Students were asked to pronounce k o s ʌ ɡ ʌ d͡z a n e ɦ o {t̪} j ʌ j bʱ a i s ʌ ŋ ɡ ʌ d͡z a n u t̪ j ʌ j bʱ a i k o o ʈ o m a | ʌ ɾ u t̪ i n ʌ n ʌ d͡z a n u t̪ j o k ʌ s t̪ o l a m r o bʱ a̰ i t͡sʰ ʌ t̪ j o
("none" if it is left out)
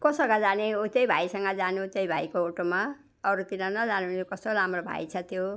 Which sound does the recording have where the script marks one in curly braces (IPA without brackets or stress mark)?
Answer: t̪